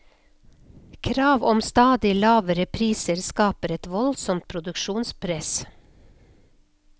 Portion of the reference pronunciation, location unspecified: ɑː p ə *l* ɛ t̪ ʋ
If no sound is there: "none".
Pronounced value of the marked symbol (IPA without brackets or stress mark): ɾ